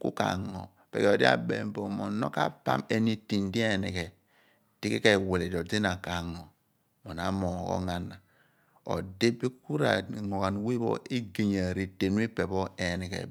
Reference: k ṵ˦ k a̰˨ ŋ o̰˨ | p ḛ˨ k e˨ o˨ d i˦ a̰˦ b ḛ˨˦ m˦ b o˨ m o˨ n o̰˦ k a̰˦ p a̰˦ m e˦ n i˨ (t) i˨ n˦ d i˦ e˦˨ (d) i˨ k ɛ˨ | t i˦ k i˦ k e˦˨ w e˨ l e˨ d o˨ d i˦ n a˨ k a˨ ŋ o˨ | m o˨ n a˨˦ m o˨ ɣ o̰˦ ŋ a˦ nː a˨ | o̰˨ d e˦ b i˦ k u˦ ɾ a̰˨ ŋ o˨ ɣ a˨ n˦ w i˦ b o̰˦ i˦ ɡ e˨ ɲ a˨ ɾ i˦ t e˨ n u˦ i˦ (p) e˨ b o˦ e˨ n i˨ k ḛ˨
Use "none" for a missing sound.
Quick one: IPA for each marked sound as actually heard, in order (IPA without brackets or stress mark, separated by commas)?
t, n, p